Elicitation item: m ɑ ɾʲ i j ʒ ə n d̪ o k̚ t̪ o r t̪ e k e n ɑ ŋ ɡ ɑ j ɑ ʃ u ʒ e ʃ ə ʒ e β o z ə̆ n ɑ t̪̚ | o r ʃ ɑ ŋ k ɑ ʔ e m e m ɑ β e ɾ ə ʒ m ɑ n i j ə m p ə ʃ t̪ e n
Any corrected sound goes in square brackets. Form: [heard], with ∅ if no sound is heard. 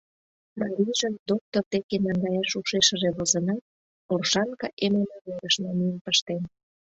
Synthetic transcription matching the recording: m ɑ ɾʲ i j ʒ ə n d̪ o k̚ t̪ o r t̪ e k e n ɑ ŋ ɡ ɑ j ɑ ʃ u [ʃ] e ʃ ə ʒ e β o z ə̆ n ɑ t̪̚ | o r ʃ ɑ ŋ k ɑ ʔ e m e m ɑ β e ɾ ə [ʃ] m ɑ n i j ə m p ə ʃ t̪ e n